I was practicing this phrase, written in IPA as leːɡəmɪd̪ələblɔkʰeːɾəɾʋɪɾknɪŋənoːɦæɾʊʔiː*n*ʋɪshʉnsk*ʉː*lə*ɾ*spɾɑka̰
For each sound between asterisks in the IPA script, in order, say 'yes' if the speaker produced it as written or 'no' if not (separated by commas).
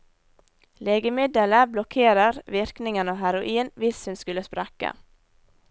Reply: yes, no, no